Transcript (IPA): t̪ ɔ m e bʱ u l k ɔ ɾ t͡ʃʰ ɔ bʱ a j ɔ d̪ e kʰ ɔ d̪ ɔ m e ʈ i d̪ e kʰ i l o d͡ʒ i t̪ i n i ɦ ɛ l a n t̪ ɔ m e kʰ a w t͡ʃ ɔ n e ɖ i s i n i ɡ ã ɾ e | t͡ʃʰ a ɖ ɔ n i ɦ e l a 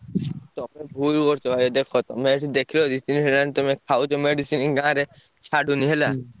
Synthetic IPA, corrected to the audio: t̪ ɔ m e bʱ u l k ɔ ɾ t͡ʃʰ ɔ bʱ a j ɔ d̪ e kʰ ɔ t̪ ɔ m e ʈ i d̪ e kʰ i l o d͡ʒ i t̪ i n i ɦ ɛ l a n t̪ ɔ m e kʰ a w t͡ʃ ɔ m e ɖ i s i n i ɡ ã ɾ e | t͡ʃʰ a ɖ u n i ɦ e l a